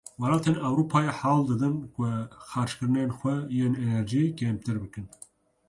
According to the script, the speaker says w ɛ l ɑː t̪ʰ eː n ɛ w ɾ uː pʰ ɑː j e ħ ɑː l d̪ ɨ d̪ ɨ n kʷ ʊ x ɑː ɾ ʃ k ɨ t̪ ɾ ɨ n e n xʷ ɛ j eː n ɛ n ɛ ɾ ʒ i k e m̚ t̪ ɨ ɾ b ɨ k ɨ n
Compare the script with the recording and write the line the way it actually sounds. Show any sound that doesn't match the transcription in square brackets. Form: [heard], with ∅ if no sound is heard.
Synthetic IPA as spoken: w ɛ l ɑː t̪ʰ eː n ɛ w ɾ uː pʰ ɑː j e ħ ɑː l d̪ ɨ d̪ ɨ n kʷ ʊ x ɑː ɾ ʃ k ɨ [∅] ɾ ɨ n e n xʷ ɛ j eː n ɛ n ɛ ɾ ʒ i k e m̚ t̪ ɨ ɾ b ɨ k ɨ n

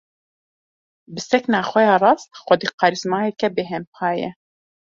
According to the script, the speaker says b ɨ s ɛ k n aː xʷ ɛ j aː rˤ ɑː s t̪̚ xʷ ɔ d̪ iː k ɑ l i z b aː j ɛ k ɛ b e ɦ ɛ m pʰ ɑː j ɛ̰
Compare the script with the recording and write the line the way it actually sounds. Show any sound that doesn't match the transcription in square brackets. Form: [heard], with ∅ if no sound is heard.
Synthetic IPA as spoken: b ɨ s ɛ k n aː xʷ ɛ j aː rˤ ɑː s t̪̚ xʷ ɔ d̪ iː [q] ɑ [ɾ] i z [m] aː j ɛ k ɛ b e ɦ ɛ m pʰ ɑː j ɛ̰

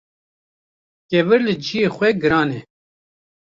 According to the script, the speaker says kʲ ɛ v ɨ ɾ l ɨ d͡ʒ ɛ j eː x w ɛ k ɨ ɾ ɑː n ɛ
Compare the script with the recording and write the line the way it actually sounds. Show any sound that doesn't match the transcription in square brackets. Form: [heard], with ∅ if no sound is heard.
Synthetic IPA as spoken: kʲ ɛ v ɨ ɾ l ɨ d͡ʒ [i] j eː x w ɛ [ɡ] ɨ ɾ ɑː n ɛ

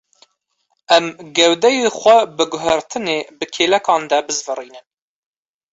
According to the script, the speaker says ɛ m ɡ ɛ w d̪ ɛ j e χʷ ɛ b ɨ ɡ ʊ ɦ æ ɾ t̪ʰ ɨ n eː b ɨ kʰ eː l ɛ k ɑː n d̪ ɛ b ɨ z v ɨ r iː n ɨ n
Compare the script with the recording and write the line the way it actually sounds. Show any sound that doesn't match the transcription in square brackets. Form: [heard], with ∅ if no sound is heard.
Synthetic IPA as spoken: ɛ m ɡ ɛ w d̪ ɛ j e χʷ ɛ b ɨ ɡ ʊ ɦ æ ɾ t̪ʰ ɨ n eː b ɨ kʰ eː l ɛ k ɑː n d̪ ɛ b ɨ z v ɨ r iː n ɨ n

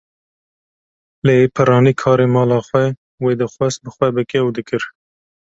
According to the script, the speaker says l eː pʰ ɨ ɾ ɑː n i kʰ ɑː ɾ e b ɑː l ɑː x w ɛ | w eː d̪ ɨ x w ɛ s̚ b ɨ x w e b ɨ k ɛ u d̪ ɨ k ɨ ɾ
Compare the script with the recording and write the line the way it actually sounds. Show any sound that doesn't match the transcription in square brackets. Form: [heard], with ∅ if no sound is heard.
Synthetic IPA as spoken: l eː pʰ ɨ ɾ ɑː n i kʰ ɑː ɾ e [m] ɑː l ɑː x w ɛ | w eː d̪ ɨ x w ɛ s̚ b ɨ x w [ɛ] b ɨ k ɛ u d̪ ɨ k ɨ ɾ

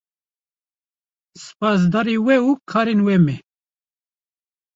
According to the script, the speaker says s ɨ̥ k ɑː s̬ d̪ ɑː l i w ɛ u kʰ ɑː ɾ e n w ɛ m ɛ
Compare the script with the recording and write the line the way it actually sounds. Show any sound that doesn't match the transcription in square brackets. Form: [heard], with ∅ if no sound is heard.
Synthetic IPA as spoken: s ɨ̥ [p] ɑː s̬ d̪ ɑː [ɾ] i w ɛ u kʰ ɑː ɾ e n w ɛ m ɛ

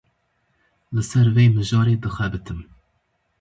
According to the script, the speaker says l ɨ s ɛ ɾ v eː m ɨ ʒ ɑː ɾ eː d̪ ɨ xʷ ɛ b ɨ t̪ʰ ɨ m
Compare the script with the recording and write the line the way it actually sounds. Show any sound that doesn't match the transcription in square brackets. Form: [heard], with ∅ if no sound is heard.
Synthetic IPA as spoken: l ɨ s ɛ ɾ v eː m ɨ ʒ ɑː ɾ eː d̪ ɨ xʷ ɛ b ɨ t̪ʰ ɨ m

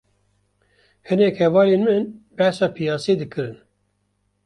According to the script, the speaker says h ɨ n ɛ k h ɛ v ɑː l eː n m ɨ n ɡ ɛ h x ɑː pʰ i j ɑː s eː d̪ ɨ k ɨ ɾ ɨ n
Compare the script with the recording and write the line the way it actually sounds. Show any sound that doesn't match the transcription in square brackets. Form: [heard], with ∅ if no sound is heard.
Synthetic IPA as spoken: h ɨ n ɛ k h ɛ v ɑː l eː n m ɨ n [b] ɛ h [s] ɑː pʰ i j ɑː s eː d̪ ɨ k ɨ ɾ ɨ n

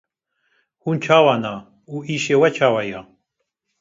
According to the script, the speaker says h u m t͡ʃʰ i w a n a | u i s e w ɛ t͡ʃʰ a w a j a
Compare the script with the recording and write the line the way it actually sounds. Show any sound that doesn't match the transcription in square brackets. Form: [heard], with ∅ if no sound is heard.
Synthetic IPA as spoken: h u [n] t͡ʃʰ [a] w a n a | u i [ʃ] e w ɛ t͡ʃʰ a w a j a

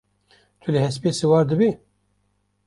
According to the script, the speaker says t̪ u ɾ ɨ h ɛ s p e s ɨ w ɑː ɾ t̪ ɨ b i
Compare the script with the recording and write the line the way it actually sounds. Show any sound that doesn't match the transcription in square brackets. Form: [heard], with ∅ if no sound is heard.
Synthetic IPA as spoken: [t̪ʰ] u [l] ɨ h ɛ s p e s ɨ w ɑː ɾ [d̪] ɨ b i

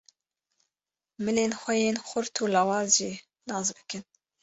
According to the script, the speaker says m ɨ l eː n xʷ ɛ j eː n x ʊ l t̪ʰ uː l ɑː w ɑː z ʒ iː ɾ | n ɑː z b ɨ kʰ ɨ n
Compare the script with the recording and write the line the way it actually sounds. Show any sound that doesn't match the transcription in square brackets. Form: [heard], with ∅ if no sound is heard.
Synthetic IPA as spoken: m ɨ l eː n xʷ ɛ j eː n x ʊ [ɾ] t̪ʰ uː l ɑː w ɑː z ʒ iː [∅] | n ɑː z b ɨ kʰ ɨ n

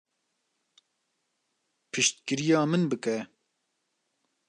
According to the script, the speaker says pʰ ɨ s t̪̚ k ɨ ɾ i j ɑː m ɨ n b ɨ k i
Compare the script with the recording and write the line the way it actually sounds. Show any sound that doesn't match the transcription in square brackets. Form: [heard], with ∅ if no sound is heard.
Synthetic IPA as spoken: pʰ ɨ [ʃ] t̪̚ k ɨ ɾ i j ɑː m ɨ n b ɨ k [ɛ]

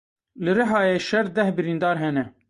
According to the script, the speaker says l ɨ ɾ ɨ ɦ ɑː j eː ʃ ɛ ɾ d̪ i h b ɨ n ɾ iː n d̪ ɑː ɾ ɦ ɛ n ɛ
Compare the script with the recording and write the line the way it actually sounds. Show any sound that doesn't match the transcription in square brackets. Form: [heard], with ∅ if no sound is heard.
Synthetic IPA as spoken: l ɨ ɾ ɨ ɦ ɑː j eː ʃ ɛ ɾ d̪ [ɛ] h b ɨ [∅] ɾ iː n d̪ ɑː ɾ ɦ ɛ n ɛ

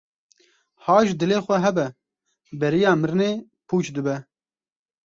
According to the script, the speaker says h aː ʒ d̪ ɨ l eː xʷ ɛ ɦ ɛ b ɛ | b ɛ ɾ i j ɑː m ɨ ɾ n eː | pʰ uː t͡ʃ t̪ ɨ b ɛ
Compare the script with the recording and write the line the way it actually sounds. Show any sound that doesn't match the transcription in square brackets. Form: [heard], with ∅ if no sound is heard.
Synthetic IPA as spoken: h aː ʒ d̪ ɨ l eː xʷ ɛ ɦ ɛ b ɛ | b ɛ ɾ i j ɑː m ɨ ɾ n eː | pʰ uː t͡ʃ [d̪] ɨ b ɛ

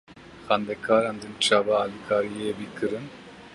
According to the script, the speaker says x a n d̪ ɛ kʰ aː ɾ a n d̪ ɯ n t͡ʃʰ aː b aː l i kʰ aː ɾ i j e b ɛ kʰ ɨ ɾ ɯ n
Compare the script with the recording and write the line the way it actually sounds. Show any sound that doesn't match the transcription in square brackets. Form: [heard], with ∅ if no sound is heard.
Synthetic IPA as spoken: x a n d̪ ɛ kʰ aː ɾ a n d̪ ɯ n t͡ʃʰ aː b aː l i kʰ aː ɾ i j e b [i] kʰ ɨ ɾ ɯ n

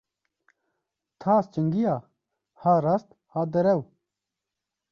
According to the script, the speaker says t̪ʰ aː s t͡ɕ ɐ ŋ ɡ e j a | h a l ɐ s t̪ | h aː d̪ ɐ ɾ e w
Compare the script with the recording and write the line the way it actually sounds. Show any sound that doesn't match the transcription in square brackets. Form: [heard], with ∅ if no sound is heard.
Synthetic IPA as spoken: t̪ʰ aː s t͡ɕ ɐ ŋ ɡ [i] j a | h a [ɾ] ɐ s t̪ | h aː d̪ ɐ ɾ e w

